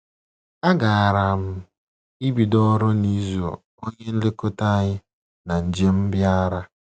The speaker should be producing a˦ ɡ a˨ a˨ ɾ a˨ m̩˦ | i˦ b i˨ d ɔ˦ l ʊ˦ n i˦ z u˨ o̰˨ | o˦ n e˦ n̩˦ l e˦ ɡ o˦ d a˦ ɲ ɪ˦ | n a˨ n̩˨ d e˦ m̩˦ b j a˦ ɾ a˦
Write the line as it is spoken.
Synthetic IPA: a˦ ɡ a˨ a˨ ɾ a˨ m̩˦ | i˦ b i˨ d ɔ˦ ɾ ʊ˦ n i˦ z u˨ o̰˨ | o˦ ɲ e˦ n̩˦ l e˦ k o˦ t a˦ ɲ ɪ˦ | n a˨ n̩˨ d͡ʒ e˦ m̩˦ b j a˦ ɾ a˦